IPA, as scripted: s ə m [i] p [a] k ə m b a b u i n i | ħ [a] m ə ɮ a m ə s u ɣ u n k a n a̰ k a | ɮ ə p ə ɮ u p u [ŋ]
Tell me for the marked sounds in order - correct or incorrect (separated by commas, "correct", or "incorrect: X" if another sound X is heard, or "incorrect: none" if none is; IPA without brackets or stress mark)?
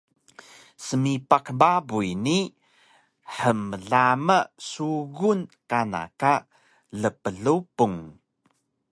correct, correct, incorrect: ə, correct